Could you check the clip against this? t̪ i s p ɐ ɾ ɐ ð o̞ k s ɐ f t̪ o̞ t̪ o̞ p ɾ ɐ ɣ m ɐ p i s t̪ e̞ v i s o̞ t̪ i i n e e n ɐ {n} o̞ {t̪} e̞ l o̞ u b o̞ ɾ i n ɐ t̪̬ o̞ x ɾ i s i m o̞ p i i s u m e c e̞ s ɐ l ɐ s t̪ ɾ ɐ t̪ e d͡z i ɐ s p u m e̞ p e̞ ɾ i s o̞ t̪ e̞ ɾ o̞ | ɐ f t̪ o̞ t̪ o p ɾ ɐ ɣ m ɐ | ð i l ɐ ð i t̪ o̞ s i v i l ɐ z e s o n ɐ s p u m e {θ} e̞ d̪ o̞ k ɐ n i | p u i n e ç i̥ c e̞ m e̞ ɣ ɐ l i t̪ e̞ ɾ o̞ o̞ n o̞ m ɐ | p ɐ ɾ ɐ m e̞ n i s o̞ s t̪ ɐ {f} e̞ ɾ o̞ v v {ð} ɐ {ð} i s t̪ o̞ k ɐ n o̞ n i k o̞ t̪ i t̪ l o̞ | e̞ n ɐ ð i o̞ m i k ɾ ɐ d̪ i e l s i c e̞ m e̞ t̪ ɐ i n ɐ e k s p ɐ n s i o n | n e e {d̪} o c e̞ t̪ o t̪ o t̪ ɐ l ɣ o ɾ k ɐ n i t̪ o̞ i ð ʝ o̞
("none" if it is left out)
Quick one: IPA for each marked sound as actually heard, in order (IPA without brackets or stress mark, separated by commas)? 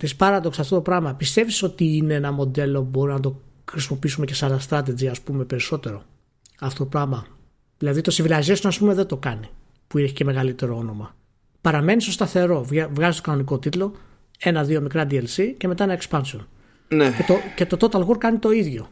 m, d̪, ð, θ, ɣ, z, t̪